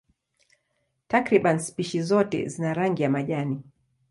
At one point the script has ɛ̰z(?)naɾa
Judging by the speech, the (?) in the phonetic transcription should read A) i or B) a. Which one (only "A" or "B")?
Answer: A